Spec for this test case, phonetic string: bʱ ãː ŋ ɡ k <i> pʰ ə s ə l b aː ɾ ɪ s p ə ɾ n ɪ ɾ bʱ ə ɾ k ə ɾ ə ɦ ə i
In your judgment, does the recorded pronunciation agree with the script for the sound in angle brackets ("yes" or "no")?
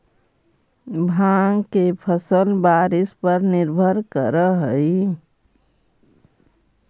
no